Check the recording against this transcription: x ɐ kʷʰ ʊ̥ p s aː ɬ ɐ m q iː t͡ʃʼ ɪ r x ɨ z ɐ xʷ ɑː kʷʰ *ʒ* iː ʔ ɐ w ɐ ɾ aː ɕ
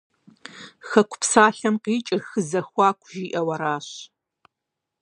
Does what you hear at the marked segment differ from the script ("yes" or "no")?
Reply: no